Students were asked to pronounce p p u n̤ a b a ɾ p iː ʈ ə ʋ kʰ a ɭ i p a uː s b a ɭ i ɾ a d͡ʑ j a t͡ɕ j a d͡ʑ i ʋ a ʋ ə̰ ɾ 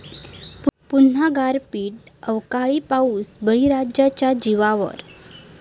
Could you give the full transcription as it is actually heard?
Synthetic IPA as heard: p p u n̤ a ɡ a ɾ p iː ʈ ə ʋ k a ɭ i p a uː s b ə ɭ i ɾ a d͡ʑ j a t͡ɕ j a d͡ʑ i ʋ a ʋ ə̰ ɾ